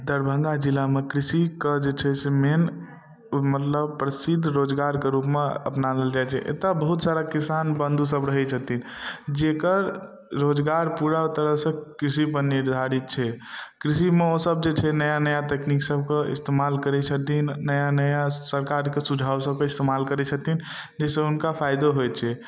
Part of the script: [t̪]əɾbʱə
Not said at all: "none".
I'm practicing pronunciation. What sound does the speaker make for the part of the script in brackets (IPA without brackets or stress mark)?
d̪